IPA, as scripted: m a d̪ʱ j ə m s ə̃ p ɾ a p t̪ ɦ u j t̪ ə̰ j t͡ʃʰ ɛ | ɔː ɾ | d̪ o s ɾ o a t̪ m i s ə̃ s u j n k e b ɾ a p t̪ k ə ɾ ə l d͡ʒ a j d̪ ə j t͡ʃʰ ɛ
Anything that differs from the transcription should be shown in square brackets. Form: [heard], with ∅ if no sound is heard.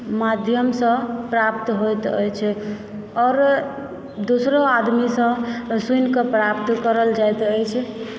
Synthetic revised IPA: m a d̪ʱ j ə m s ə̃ p ɾ a p t̪ ɦ [o] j t̪ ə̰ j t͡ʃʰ ɛ | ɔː ɾ | d̪ o s ɾ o a [d̪] m i s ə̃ s u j n k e [p] ɾ a p t̪ k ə ɾ ə l d͡ʒ a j [t̪] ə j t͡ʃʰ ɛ